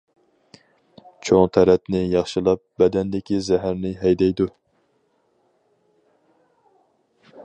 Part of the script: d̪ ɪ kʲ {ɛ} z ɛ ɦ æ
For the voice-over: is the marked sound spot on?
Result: no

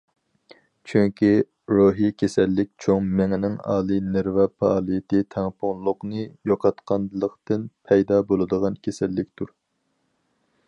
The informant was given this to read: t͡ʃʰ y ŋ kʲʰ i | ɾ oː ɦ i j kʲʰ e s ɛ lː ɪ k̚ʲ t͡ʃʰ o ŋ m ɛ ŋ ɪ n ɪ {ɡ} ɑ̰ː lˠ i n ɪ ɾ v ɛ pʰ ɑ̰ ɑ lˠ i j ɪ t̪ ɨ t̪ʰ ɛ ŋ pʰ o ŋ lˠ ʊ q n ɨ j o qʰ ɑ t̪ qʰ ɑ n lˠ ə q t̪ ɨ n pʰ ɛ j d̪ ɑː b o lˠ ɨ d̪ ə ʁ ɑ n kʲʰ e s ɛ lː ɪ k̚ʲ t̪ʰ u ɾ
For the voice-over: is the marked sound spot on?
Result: no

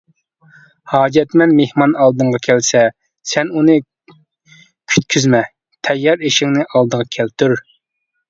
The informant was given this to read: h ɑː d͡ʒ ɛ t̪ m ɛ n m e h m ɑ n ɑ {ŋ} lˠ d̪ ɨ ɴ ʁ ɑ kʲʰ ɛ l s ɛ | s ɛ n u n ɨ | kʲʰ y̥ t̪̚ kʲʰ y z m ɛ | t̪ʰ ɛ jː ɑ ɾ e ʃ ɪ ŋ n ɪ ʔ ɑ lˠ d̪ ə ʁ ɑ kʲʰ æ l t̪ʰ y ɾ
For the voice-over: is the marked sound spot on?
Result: no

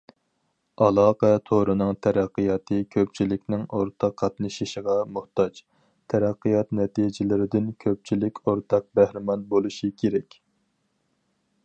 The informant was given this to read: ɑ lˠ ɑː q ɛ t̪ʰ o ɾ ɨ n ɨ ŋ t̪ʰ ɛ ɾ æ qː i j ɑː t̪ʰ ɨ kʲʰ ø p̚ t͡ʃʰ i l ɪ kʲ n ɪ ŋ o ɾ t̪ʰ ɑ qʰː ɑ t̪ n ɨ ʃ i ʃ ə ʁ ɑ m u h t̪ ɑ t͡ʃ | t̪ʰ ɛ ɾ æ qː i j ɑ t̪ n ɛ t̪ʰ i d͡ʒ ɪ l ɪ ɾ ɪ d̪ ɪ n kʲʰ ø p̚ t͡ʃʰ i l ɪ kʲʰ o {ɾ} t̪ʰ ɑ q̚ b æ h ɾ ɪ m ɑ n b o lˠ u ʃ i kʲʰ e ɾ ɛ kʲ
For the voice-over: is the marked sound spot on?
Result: yes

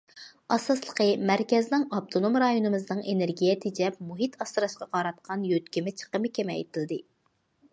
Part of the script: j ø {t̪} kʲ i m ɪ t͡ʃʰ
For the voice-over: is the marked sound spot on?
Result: yes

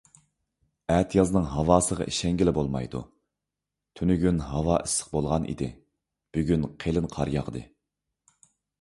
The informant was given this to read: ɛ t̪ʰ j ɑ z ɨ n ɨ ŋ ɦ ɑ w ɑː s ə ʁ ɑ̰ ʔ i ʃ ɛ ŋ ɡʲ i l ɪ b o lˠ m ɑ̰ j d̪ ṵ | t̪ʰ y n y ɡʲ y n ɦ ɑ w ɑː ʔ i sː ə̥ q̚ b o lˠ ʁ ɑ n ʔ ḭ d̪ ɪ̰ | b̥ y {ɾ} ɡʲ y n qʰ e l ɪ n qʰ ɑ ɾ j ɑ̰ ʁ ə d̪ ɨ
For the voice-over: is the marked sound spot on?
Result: no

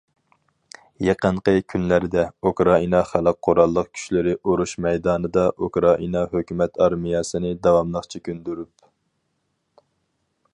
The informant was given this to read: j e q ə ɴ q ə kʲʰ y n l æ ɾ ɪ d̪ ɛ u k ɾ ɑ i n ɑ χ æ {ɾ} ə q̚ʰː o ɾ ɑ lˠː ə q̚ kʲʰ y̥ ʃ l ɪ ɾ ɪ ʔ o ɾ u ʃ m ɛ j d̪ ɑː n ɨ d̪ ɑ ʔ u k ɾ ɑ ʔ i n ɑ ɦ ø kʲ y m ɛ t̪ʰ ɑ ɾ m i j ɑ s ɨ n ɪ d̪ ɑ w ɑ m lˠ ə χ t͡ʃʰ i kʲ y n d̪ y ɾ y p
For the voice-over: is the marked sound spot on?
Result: no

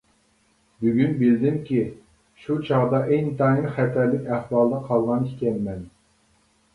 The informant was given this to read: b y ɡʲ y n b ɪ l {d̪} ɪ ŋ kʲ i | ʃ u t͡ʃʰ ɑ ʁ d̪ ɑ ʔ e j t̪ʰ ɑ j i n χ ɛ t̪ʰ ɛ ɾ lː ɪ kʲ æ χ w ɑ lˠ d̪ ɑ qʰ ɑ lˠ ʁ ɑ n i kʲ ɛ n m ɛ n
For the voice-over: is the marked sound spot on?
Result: yes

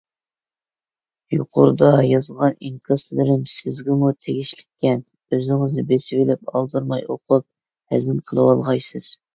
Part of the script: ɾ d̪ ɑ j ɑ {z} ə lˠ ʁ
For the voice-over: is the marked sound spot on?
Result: yes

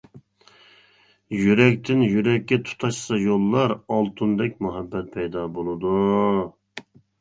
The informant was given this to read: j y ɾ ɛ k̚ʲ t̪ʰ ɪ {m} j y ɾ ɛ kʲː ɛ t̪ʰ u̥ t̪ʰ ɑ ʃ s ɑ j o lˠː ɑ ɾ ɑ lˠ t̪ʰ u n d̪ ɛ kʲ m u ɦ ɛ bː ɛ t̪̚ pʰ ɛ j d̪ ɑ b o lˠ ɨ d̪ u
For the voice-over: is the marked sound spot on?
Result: no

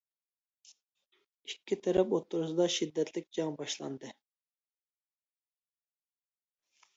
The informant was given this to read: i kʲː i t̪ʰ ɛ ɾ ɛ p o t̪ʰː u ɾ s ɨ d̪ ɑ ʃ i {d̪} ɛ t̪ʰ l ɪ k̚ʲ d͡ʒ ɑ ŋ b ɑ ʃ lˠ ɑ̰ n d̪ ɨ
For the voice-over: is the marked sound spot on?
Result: no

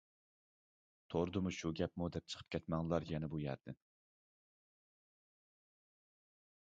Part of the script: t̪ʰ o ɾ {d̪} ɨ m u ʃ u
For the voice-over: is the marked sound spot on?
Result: yes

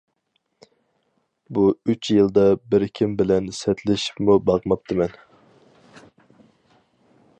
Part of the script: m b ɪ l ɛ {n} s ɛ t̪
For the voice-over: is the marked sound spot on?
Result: yes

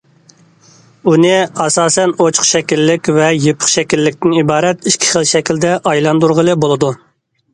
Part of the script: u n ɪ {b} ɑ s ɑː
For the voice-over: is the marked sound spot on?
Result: no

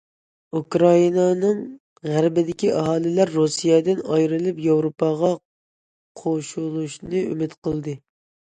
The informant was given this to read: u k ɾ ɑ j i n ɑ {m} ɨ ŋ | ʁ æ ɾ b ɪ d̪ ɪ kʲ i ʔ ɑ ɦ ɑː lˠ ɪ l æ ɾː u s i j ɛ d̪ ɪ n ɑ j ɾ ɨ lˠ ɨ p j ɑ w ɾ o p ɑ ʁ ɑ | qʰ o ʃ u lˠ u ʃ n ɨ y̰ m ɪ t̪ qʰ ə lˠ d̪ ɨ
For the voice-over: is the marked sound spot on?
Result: no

